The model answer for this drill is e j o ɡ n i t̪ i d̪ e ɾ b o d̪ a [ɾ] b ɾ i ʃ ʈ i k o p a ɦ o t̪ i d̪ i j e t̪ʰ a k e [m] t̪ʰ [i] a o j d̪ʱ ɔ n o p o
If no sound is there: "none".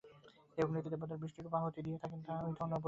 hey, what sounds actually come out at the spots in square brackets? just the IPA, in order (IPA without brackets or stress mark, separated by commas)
ɾ, n, a